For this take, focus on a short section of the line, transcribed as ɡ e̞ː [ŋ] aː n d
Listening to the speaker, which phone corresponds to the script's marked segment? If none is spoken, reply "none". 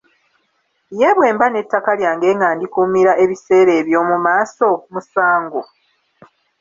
ŋ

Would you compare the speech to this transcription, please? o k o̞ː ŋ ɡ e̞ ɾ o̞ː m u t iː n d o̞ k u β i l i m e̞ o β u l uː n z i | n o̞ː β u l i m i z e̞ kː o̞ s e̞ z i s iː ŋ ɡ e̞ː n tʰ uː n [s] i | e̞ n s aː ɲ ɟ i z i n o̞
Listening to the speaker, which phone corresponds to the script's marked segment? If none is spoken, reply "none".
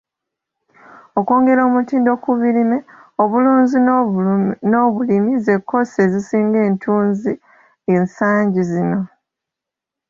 z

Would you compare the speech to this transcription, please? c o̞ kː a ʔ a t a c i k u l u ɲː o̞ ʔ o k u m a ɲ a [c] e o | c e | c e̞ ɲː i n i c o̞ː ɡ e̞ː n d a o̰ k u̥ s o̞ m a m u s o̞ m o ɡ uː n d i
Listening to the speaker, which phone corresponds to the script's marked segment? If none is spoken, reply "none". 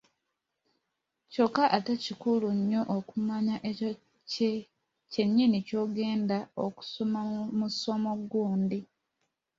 ʔ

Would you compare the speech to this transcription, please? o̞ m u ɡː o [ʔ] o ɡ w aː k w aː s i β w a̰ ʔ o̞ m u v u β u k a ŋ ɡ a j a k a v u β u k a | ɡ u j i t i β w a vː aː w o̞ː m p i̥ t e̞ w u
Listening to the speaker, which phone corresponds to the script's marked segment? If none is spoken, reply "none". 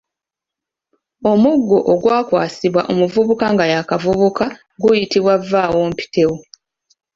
ʔ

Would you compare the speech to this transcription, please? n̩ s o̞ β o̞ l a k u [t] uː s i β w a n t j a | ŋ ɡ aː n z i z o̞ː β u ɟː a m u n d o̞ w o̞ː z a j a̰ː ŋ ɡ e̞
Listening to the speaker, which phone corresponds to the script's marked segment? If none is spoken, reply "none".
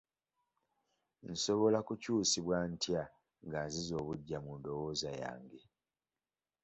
c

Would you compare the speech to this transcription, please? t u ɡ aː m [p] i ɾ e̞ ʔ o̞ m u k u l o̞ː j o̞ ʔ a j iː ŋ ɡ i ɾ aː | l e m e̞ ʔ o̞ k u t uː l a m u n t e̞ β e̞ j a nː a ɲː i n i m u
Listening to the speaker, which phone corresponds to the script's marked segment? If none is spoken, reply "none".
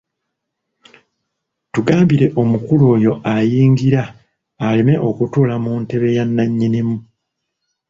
b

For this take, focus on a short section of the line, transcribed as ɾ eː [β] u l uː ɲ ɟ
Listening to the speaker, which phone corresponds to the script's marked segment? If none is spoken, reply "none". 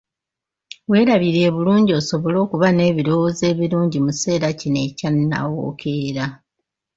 β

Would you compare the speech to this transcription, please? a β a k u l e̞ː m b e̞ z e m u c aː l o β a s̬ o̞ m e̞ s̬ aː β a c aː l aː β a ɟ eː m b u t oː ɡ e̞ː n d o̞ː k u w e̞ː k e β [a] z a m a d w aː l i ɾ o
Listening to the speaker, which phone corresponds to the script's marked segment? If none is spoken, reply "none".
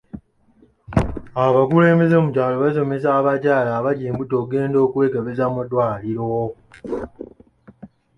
e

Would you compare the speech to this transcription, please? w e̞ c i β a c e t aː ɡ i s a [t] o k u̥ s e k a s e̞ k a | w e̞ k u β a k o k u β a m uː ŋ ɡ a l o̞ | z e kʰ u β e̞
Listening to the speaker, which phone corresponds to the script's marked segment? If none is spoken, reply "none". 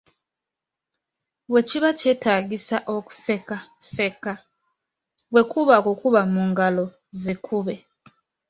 ʔ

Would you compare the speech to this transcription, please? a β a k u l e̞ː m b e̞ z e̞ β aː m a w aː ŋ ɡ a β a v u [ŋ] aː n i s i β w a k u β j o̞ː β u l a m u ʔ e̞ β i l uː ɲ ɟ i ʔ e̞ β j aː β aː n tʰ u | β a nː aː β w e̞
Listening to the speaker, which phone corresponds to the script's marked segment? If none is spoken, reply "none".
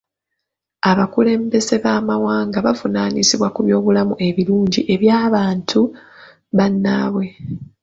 n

